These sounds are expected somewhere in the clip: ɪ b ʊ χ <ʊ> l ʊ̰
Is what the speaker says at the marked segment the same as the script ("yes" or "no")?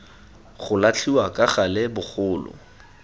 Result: no